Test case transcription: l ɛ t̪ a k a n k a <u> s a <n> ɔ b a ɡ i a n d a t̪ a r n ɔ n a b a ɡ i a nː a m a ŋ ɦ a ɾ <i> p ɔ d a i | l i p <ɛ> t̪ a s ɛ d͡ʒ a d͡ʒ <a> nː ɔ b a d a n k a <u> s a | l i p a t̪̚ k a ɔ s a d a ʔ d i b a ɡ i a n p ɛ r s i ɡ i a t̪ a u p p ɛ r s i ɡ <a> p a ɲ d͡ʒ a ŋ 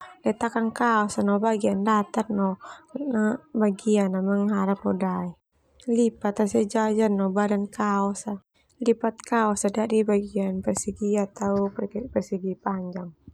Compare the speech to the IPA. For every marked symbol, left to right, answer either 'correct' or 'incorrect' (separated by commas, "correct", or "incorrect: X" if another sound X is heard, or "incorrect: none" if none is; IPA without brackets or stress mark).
incorrect: ɔ, correct, incorrect: a, incorrect: a, correct, incorrect: ɔ, incorrect: i